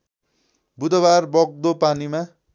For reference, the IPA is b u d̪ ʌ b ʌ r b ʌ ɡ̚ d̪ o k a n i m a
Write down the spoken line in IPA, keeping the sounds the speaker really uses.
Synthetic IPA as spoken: b u d̪ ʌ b a r b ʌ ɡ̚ d̪ o p a n i m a